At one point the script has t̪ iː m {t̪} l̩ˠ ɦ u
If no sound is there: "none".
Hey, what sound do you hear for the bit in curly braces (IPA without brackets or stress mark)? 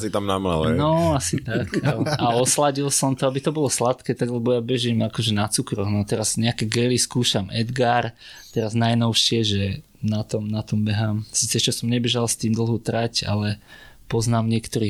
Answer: d̪